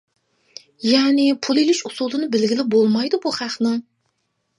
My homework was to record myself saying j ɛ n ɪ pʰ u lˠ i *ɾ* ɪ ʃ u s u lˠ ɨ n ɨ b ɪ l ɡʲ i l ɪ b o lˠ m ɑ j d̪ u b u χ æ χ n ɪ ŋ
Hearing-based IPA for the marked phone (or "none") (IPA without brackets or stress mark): l